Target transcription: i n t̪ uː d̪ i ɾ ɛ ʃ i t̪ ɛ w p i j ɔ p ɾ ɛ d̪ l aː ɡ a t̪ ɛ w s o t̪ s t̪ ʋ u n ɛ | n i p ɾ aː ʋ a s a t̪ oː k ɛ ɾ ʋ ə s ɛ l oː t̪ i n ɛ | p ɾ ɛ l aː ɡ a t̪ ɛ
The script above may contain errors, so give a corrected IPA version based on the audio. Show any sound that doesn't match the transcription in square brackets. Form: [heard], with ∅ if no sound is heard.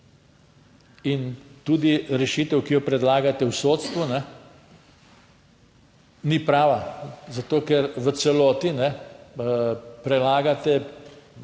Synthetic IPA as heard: i n t̪ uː d̪ i ɾ ɛ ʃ i t̪ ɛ w [k] i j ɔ p ɾ ɛ d̪ l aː ɡ a t̪ ɛ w s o t̪ s t̪ ʋ u n ɛ | n i p ɾ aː ʋ a [z] a t̪ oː k ɛ ɾ ʋ ə s ɛ l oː t̪ i n ɛ | p ɾ ɛ l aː ɡ a t̪ ɛ